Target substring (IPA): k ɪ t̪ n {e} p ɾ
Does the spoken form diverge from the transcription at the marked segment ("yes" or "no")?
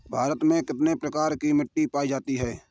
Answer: no